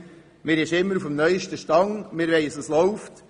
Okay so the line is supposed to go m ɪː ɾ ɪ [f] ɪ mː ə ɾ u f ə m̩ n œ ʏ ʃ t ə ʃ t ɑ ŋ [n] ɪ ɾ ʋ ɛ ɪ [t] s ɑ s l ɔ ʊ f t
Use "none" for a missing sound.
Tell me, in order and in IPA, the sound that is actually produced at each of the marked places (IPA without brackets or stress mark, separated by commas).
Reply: ʃ, m, none